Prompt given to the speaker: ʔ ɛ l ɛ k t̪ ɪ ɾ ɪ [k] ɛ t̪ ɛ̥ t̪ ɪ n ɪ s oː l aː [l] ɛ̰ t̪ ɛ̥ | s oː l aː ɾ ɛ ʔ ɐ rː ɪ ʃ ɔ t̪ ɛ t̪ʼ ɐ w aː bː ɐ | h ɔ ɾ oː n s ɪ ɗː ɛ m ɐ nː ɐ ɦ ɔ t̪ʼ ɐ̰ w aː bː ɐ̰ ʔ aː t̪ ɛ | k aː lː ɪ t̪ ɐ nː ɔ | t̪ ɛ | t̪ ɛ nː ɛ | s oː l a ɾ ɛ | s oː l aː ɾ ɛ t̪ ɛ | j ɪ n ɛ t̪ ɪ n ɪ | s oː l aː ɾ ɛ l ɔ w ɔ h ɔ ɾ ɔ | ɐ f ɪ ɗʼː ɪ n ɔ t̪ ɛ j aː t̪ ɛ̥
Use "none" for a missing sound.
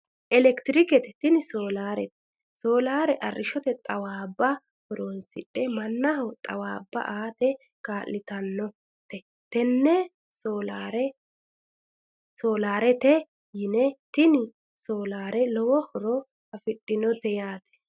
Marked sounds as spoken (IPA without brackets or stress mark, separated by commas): k, ɾ